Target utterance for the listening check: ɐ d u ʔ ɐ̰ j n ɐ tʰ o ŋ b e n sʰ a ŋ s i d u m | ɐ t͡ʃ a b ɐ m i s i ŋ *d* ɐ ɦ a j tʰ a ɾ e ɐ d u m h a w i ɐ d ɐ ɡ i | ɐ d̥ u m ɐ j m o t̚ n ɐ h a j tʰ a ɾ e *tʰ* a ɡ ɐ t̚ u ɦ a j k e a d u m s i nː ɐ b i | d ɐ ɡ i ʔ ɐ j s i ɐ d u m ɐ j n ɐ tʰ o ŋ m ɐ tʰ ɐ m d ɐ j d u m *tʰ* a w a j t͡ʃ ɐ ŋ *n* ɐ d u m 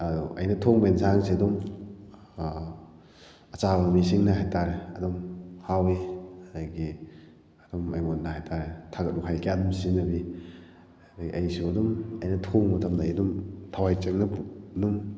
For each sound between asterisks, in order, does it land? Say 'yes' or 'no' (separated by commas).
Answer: no, yes, yes, yes